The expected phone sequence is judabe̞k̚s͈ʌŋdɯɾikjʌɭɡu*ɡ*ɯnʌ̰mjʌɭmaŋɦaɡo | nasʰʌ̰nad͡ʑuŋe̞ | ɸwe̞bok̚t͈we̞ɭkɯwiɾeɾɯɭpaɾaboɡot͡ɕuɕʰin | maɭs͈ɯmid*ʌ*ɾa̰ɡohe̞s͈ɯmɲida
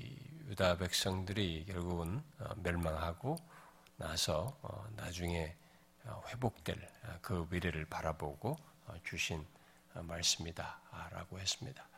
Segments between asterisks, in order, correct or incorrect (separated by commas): correct, incorrect